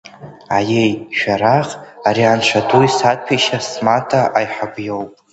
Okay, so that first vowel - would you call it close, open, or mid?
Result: open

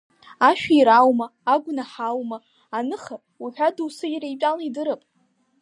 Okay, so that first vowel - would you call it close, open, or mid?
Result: open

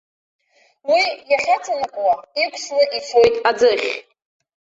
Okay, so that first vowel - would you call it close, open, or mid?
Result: close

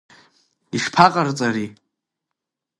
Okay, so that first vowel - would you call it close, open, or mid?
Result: close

